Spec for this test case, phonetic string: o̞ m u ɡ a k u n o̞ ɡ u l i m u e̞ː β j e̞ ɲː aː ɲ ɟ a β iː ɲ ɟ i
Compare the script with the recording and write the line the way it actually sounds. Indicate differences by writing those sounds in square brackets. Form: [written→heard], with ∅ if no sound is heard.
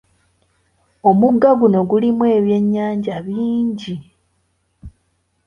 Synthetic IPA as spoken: o̞ m u ɡ a [k→ɡ] u n o̞ ɡ u l i m [u→w] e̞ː β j e̞ ɲː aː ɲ ɟ a β iː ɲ ɟ i